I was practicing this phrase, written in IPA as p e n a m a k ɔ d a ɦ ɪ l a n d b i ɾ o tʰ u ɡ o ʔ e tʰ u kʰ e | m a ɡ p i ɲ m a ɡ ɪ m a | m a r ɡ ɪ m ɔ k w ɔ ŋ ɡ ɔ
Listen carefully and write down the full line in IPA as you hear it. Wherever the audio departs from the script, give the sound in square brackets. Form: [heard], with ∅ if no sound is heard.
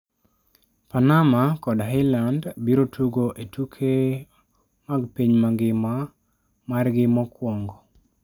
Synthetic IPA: p [a] n a m a k ɔ d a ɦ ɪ l a n d b i ɾ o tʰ u ɡ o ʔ e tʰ u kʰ e | m a ɡ p i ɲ m a ɡ ɪ m a | m a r ɡ ɪ m ɔ k w ɔ ŋ ɡ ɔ